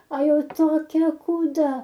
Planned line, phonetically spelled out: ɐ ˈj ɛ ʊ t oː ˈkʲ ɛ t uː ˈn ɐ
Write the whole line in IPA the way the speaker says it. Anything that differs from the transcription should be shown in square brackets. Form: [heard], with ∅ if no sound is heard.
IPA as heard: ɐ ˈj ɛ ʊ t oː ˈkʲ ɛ [k] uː [ˈd] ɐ